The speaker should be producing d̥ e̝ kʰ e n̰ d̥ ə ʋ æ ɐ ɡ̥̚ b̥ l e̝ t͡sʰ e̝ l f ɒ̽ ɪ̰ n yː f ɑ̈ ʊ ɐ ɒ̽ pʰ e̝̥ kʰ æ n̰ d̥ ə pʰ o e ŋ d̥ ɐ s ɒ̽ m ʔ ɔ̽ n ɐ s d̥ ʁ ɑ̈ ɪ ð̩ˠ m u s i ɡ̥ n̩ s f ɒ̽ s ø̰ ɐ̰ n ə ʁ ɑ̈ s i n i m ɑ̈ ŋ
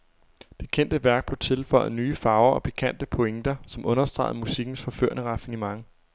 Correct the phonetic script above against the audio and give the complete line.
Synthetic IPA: d̥ e̝ kʰ e n̰ d̥ ə ʋ æ ɐ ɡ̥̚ b̥ l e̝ t͡sʰ e̝ l f ɒ̽ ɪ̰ n yː f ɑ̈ ʊ ɐ ɒ̽ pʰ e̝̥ kʰ æ n̰ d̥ ə pʰ o e ŋ d̥ ɐ s ɒ̽ m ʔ ɔ̽ n ɐ s d̥ ʁ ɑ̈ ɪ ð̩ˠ m u s i ɡ̥ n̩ s f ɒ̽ f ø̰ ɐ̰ n ə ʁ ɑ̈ f i n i m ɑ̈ ŋ